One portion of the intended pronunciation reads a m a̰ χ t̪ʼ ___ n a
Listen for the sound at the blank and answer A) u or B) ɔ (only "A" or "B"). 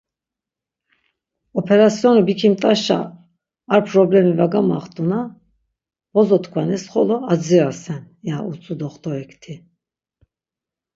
A